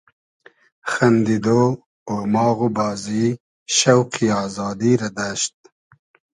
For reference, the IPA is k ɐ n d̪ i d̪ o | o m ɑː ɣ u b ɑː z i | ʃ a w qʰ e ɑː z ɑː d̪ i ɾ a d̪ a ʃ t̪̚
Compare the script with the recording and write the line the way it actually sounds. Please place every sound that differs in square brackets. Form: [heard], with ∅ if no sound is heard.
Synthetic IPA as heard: [x] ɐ n d̪ i d̪ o | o m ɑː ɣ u b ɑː z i | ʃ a w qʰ [i] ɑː z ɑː d̪ i ɾ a d̪ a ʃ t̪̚